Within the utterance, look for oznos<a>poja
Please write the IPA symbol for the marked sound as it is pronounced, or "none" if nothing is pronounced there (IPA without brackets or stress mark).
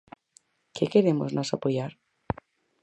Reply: a